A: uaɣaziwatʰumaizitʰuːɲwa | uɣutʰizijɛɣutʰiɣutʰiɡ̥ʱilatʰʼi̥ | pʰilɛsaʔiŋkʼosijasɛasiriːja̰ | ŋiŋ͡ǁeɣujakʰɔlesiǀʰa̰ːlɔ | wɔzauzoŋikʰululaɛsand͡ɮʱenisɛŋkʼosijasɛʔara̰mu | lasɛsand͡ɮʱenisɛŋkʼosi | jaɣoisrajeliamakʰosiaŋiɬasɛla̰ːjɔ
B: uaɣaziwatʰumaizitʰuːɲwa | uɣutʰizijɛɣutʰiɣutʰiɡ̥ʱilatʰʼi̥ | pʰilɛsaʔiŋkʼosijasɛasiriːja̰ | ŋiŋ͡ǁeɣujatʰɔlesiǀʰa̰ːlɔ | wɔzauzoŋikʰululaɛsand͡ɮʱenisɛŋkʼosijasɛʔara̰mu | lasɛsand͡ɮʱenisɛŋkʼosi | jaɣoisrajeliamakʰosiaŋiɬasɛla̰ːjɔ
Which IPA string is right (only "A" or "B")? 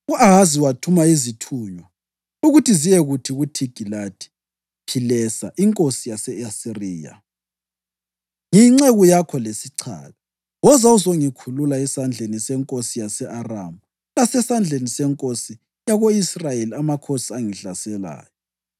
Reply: A